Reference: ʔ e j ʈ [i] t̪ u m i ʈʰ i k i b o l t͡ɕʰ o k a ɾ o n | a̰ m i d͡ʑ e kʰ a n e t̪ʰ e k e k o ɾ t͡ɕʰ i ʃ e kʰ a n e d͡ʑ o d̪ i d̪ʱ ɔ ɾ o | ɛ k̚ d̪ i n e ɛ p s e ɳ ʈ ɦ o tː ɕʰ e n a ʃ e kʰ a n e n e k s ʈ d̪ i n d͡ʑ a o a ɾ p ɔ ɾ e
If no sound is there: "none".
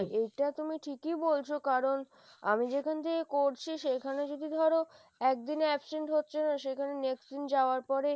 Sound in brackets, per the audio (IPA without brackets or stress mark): a